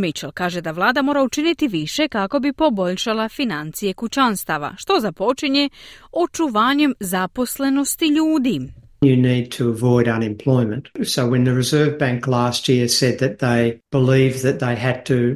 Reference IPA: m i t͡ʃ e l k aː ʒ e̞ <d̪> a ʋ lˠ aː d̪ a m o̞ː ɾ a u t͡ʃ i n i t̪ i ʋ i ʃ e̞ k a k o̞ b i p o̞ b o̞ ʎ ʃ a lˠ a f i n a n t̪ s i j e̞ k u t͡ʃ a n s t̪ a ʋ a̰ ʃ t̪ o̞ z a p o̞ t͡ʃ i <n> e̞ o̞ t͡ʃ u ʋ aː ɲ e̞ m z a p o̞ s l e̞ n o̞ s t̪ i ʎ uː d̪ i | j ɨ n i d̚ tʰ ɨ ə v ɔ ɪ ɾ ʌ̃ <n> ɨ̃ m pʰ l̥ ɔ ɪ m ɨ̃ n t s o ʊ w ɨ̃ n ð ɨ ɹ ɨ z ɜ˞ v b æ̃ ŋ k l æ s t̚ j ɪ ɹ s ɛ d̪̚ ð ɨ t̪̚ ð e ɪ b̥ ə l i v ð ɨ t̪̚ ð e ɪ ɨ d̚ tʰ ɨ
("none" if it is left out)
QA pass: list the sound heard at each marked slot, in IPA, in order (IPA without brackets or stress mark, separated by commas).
d̪, ɲ, n